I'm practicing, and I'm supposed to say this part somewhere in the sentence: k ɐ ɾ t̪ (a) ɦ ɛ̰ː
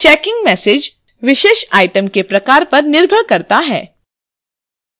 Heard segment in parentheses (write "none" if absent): a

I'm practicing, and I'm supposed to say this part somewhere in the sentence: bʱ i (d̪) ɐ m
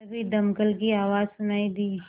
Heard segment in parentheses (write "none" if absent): d̪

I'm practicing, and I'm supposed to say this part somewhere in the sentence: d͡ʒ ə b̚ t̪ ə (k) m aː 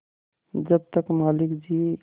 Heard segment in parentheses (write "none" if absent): k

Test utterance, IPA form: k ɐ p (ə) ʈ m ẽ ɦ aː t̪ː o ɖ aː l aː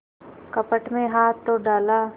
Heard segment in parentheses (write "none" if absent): ə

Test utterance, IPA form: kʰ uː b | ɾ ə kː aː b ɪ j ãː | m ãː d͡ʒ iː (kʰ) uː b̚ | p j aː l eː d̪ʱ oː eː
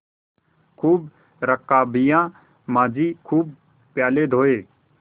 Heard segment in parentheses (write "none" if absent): kʰ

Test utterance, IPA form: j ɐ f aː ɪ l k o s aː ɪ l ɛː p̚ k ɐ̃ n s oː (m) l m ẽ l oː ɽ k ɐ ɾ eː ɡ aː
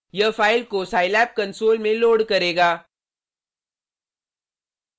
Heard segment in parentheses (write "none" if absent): none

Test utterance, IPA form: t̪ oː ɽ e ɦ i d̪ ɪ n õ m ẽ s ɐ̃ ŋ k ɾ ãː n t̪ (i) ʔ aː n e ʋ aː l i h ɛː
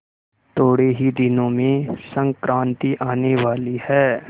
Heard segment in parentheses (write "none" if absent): i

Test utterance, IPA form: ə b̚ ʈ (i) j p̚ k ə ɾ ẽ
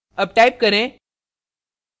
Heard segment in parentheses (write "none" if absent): a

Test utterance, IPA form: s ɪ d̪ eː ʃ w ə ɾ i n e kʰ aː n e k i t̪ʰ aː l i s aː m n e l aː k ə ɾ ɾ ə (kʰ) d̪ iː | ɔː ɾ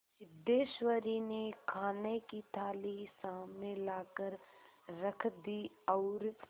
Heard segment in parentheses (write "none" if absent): kʰ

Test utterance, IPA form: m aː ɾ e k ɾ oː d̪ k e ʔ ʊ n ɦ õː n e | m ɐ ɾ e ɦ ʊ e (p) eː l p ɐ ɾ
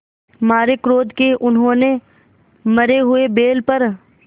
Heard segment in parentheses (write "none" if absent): b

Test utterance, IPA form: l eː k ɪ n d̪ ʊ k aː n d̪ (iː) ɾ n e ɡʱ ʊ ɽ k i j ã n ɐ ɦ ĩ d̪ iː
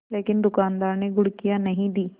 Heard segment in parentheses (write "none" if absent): aː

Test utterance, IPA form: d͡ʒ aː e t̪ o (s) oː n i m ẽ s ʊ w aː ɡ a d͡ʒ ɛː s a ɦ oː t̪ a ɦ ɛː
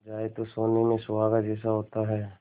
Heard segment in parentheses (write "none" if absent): s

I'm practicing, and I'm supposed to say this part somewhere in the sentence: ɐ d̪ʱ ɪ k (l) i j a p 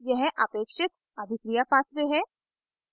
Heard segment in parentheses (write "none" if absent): ɾ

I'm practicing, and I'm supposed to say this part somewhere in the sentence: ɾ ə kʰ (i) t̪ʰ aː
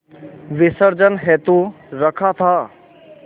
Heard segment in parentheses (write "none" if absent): a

